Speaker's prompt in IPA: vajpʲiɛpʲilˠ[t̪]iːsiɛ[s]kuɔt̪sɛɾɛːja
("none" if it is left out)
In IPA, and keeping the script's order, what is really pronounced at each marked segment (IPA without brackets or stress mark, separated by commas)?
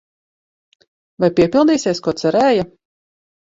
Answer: d̪, s